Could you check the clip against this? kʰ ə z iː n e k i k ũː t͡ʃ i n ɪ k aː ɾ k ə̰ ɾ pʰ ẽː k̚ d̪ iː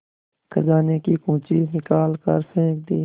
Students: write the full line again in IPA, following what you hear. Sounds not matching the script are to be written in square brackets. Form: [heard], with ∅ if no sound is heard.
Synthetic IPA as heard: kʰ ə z [aː] n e k i k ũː t͡ʃ i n ɪ k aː [l] k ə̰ ɾ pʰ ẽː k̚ d̪ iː